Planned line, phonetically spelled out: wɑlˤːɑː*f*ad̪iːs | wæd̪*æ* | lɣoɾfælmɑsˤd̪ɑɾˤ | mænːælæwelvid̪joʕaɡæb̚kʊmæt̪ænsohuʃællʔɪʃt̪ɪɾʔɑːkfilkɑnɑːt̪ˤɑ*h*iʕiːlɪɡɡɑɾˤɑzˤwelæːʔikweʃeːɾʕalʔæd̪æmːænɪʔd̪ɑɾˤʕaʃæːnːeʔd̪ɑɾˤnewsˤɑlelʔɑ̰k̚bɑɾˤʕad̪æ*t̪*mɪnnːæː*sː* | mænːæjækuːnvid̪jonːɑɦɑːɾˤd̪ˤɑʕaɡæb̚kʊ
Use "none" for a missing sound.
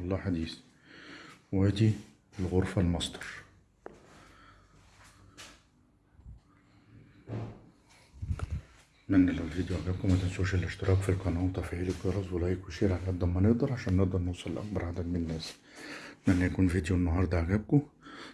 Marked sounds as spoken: ħ, i, f, d̪, s

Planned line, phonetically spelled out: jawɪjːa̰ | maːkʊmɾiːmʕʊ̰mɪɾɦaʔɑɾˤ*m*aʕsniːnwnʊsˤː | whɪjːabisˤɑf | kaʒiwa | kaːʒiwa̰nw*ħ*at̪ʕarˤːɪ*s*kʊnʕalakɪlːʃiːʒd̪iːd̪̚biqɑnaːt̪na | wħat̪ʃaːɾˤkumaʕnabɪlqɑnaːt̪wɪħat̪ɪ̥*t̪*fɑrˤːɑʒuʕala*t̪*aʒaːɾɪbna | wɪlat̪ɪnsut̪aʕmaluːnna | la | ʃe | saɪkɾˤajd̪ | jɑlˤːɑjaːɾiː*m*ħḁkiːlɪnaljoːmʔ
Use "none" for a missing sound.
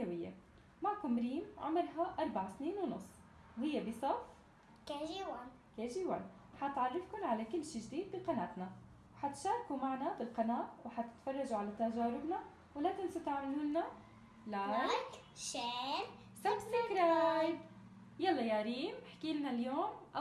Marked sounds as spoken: b, ħ, f, t̪, t̪, m

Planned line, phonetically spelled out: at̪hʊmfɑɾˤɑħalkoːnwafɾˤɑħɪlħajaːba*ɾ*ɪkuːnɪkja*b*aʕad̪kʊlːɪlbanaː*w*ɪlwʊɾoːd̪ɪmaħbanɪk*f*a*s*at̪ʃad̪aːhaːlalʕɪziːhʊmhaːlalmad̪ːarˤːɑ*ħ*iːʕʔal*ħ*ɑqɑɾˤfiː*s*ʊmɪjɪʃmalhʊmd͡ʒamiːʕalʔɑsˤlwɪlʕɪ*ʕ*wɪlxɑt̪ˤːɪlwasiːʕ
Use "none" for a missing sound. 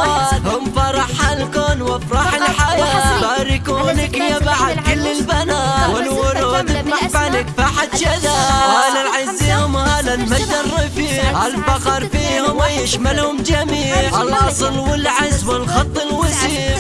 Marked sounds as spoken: ɾ, b, w, f, ħ, f, f, h, z

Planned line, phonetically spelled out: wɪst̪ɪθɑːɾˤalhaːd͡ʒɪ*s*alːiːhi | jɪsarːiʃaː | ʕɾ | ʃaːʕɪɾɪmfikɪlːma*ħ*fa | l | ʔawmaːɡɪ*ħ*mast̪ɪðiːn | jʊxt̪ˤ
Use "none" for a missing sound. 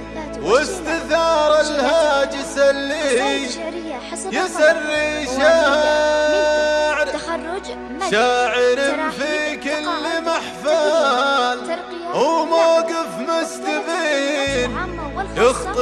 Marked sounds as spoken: s, ħ, f

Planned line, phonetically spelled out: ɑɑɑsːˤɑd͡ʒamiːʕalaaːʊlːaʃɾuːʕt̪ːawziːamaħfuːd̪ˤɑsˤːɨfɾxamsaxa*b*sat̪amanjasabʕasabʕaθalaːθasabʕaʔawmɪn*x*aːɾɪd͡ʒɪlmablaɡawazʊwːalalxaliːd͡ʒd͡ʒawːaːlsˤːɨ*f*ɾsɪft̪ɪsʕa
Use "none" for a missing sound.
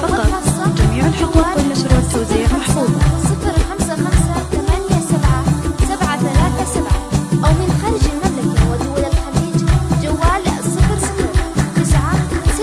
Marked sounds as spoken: m, x, f

